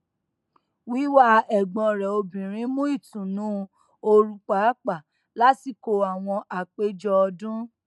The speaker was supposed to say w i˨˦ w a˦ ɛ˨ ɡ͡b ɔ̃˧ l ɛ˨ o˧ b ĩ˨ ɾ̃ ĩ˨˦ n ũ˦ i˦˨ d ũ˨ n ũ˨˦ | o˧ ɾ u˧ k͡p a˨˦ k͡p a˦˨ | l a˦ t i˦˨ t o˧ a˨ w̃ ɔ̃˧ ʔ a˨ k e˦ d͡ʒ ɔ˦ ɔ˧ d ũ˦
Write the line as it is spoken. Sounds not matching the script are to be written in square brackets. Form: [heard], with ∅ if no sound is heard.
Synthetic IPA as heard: w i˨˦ w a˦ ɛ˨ ɡ͡b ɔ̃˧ [ɾ] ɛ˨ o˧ b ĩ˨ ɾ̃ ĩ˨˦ [m] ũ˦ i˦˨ [t] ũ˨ n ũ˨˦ | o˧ ɾ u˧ k͡p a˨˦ k͡p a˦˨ | l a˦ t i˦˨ [k] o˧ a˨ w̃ ɔ̃˧ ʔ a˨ [k͡p] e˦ d͡ʒ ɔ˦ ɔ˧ d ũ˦